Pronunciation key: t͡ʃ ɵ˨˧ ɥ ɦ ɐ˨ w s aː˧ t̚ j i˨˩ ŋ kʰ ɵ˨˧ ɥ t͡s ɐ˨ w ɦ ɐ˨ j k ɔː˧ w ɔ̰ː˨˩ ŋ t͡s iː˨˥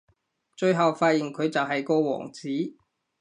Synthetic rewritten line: t͡ʃ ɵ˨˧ ɥ ɦ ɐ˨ w f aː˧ t̚ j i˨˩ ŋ kʰ ɵ˨˧ ɥ t͡s ɐ˨ w ɦ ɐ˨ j k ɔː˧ w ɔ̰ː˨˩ ŋ t͡s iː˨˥